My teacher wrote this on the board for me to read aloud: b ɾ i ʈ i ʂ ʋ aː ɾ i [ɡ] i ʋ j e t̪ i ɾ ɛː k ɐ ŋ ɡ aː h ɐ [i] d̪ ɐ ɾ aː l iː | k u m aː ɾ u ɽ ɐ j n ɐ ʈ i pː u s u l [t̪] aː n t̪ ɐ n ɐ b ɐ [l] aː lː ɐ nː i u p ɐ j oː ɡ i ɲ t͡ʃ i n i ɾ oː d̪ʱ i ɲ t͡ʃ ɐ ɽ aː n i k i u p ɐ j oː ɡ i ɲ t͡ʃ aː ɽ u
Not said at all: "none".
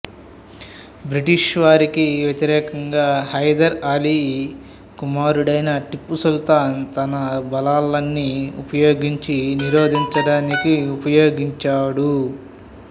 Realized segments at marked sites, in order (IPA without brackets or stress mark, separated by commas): k, j, t̪, l